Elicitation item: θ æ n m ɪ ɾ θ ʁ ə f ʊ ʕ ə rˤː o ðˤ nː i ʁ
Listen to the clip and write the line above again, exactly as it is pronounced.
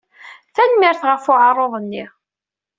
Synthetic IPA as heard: θ æ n m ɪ ɾ θ ʁ ə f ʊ ʕ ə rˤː o ðˤ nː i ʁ